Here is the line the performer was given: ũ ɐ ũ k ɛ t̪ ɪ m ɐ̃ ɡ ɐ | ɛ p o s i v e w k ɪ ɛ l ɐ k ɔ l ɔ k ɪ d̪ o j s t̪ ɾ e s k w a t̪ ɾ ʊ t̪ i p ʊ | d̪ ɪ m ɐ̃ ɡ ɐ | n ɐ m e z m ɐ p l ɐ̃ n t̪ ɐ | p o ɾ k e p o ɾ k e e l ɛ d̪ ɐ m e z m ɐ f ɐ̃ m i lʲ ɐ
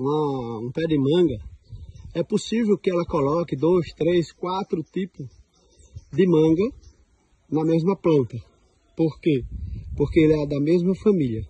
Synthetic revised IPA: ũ ɐ ũ p ɛ d̪ ɪ m ɐ̃ ɡ ɐ | ɛ p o s i v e w k ɪ ɛ l ɐ k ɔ l ɔ k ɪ d̪ o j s t̪ ɾ e s k w a t̪ ɾ ʊ t̪ i p ʊ | d̪ ɪ m ɐ̃ ɡ ɐ | n ɐ m e z m ɐ p l ɐ̃ n t̪ ɐ | p o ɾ k e p o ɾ k e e l ɛ d̪ ɐ m e z m ɐ f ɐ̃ m i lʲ ɐ

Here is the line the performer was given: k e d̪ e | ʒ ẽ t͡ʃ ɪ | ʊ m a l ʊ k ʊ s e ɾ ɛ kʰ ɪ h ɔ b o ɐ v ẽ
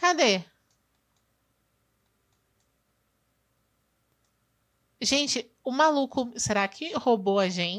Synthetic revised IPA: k a d̪ e | ʒ ẽ t͡ʃ ɪ | ʊ m a l u k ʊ s e ɾ a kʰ ɪ h o b o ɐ ʒ ẽ

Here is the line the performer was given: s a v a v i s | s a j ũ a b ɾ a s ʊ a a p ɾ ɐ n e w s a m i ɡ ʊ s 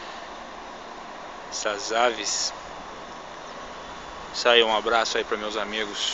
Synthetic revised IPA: s a z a v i s | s a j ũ a b ɾ a s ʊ a i p ɾ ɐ m e w z a m i ɡ ʊ s

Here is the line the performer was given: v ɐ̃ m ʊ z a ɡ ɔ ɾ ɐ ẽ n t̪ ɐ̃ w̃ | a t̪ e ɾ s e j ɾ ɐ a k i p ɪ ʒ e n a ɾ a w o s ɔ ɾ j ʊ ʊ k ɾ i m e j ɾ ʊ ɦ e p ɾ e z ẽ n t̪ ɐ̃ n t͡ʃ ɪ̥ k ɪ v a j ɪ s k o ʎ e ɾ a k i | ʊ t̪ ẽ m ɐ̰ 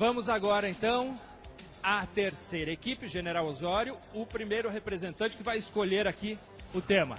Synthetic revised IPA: v ɐ̃ m ʊ z a ɡ ɔ ɾ ɐ ẽ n t̪ ɐ̃ w̃ | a t̪ e ɾ s e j ɾ ɐ e k i p ɪ ʒ e n e ɾ a w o z ɔ ɾ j ʊ ʊ p ɾ i m e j ɾ ʊ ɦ e p ɾ e z ẽ n t̪ ɐ̃ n t͡ʃ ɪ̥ k ɪ v a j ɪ s k o ʎ e ɾ a k i | ʊ t̪ ẽ m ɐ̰

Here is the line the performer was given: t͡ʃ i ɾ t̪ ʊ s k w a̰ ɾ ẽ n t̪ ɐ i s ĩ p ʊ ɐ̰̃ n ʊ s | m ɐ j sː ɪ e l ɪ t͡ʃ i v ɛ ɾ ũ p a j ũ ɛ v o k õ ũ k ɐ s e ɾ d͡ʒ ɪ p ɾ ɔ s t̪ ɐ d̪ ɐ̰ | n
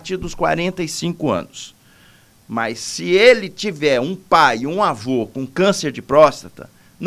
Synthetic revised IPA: t͡ʃ i ɾ d̪ ʊ s k w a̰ ɾ ẽ n t̪ ɐ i s ĩ k ʊ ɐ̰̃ n ʊ s | m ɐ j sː ɪ e l ɪ t͡ʃ i v ɛ ɾ ũ p a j ũ a v o k õ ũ k ɐ̃ s e ɾ d͡ʒ ɪ p ɾ ɔ s t̪ ɐ t̪ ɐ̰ | n

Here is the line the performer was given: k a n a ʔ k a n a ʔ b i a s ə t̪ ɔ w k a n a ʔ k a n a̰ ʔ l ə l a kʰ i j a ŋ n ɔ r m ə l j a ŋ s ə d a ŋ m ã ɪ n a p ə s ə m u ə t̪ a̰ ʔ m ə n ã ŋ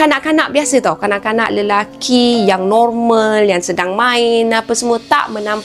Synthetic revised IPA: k a n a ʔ k a n a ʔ b i a s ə t̪ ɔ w k a n a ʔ k a n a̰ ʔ l ə l a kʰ i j a ŋ n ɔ r m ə l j a ŋ s ə d a ŋ m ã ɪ n a p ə s ə m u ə t̪ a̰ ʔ m ə n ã m

